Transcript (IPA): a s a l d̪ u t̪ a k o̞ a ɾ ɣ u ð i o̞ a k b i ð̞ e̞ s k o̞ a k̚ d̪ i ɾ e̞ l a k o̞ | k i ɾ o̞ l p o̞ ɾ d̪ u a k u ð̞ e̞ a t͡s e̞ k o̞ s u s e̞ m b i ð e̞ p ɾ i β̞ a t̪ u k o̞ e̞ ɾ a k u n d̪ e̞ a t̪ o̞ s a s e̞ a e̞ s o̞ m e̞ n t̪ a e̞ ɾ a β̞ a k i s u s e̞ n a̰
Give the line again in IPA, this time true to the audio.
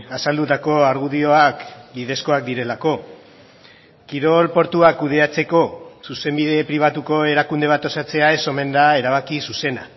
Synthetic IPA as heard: a s a l d̪ u t̪ a k o̞ a ɾ ɣ u ð i o̞ a k b i ð̞ e̞ s k o̞ a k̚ d̪ i ɾ e̞ l a k o̞ | k i ɾ o̞ l p o̞ ɾ t̪ u a k u ð̞ e̞ a t͡s e̞ k o̞ s u s e̞ m b i ð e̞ p ɾ i β̞ a t̪ u k o̞ e̞ ɾ a k u n d̪ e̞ a t̪ o̞ s a t͡s e̞ a e̞ s o̞ m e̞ n d̪ a e̞ ɾ a β̞ a k i s u s e̞ n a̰